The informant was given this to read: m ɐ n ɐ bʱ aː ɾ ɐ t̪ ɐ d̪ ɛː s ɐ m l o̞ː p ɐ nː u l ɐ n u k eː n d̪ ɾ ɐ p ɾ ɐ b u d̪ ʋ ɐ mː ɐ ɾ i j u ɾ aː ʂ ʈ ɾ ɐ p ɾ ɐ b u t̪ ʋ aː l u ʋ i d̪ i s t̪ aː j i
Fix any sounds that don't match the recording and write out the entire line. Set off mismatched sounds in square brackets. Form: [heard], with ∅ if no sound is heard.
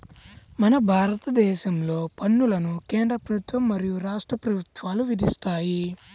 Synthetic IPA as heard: m ɐ n ɐ bʱ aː ɾ ɐ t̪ ɐ d̪ ɛː [ʃ] ɐ m l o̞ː p ɐ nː u l ɐ n u k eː n d̪ ɾ ɐ p ɾ ɐ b u [t̪] ʋ ɐ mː ɐ ɾ i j u ɾ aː ʂ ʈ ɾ ɐ p ɾ ɐ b u t̪ ʋ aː l u ʋ i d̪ i s t̪ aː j i